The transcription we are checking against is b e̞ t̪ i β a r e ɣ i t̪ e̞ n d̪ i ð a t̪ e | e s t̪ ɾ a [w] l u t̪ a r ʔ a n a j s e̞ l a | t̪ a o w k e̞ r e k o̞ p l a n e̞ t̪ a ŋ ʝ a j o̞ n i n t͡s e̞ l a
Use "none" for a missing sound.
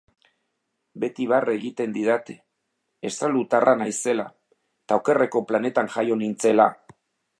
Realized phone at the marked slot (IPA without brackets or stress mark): none